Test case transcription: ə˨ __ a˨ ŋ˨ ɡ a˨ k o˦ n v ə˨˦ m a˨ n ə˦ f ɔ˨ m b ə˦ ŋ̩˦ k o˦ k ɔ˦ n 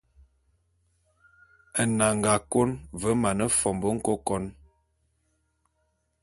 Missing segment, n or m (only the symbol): n